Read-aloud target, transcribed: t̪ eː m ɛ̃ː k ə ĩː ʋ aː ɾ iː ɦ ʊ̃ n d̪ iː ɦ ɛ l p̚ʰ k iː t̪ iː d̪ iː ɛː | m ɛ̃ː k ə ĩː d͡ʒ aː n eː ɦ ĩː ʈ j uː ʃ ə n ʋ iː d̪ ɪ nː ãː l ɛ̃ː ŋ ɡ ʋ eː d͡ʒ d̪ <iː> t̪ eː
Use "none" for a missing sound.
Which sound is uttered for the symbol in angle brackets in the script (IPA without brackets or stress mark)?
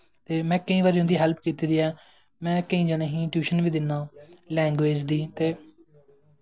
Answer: iː